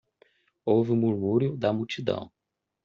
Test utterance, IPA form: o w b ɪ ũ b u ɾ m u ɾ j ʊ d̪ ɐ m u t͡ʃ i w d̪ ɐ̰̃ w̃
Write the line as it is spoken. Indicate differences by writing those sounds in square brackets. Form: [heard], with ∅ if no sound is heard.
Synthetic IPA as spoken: o w [v] ɪ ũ [m] u ɾ m u ɾ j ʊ d̪ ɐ m u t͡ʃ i [∅] d̪ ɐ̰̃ w̃